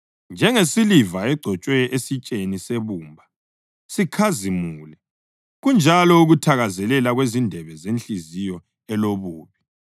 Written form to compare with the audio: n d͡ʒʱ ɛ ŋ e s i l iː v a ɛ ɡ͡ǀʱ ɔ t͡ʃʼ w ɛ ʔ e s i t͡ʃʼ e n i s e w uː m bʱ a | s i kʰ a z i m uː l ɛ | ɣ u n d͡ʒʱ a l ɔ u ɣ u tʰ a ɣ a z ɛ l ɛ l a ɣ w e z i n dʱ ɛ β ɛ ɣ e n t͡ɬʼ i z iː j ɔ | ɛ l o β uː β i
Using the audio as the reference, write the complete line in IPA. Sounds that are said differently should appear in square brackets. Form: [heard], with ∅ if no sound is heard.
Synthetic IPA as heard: n d͡ʒʱ ɛ ŋ e s i l [i] v a ɛ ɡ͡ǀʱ ɔ t͡ʃʼ w ɛ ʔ e s i t͡ʃʼ e n i s e [β] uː m bʱ a | s i kʰ a z i m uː l ɛ | ɣ u n d͡ʒʱ a l ɔ u ɣ u tʰ a ɣ a z ɛ l ɛ l a ɣ w e z i n dʱ ɛ β ɛ [z] e n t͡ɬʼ i z [i] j ɔ | ɛ l o β uː β i